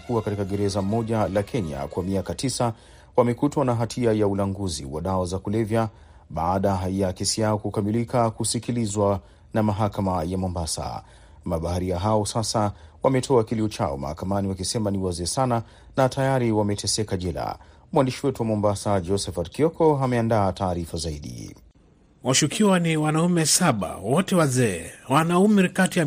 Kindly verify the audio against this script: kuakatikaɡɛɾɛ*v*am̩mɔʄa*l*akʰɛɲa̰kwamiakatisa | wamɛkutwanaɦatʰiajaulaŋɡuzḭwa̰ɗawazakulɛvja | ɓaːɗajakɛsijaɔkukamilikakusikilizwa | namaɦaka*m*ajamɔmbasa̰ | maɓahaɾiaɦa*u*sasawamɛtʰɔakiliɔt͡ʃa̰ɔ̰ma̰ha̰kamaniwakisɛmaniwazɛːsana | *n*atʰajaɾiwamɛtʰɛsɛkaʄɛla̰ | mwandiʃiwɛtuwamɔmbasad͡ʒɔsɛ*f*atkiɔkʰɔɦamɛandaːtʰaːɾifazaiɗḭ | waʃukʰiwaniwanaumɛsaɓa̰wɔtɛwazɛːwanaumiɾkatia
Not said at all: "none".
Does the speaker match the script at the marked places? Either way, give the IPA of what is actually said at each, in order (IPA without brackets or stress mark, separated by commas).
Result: z, l, m, ɔ, n, f